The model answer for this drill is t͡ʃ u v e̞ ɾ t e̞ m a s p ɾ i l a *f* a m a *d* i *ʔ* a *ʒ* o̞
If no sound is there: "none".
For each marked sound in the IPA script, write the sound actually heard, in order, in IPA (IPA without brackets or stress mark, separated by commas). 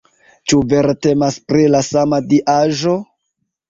s, d, ʔ, ʒ